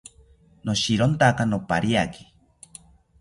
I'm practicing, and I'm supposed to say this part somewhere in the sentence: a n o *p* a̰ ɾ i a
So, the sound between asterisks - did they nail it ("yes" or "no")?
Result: yes